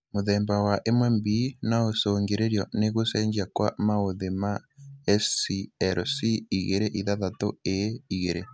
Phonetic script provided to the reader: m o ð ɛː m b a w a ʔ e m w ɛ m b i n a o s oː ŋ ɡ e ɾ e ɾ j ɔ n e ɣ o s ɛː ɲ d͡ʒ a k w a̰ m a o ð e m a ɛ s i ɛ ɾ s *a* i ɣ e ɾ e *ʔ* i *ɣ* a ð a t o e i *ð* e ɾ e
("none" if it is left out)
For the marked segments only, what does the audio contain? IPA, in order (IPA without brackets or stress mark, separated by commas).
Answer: i, ʔ, ð, ɣ